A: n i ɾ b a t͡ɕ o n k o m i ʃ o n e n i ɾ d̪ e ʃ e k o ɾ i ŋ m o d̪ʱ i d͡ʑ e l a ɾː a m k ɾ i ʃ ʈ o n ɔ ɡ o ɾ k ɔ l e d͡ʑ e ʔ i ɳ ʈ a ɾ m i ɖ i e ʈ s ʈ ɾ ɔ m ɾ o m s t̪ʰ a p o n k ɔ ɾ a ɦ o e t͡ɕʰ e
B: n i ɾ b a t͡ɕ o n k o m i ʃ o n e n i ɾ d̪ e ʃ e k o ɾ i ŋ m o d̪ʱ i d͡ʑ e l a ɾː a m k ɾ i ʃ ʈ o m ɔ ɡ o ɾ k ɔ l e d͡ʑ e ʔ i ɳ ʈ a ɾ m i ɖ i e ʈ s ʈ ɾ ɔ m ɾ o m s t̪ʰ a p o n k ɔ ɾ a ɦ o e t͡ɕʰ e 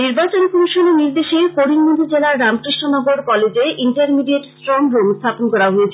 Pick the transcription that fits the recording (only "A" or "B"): A